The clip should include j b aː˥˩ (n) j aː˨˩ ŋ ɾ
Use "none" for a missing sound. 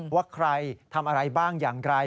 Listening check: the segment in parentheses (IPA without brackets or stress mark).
ŋ